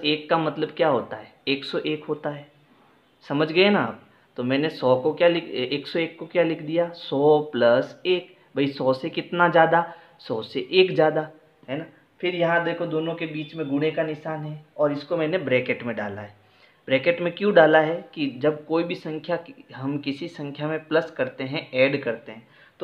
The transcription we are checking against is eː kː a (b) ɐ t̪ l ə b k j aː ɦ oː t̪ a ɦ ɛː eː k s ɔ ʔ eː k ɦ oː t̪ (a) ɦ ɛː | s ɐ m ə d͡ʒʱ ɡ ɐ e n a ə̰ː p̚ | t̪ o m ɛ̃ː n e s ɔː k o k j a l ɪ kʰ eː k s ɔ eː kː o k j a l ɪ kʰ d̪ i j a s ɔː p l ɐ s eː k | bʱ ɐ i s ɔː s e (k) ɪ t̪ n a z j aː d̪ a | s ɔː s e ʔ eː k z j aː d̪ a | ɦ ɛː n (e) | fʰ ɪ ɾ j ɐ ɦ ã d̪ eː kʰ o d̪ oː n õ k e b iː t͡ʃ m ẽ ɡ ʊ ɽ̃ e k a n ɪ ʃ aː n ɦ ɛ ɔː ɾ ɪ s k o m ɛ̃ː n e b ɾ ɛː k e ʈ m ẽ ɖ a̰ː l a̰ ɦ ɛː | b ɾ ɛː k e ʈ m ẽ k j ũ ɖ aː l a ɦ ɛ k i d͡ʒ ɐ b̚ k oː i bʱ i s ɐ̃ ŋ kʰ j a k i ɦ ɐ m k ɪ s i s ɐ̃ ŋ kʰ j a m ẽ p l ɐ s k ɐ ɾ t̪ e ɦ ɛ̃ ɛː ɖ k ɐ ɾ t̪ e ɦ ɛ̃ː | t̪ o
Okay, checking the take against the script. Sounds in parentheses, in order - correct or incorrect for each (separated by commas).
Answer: incorrect, correct, correct, incorrect